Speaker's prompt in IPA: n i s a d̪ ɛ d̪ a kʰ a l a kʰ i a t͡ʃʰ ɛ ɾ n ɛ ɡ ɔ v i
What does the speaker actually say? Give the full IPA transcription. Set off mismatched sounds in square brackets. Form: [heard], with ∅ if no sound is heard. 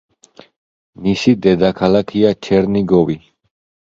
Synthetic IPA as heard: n i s [i] d̪ ɛ d̪ a kʰ a l a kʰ i a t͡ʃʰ ɛ ɾ n [i] ɡ ɔ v i